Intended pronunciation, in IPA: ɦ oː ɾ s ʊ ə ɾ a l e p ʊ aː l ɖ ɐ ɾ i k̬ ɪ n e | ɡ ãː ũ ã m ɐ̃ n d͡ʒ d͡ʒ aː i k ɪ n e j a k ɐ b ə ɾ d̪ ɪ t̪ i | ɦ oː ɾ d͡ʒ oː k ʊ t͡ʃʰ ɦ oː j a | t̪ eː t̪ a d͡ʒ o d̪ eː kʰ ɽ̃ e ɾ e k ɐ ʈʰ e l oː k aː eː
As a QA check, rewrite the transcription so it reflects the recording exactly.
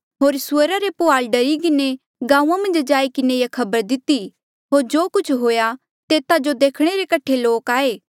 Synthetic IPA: ɦ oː ɾ s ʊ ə ɾ a ɾ e p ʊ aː l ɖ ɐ ɾ i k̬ ɪ n e | ɡ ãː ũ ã m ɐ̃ n d͡ʒ d͡ʒ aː i k ɪ n e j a kʰ ɐ b ə ɾ d̪ ɪ t̪ i | ɦ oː ɾ d͡ʒ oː k ʊ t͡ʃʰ ɦ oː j a | t̪ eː t̪ a d͡ʒ o d̪ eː kʰ ɽ̃ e ɾ e k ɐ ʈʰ e l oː k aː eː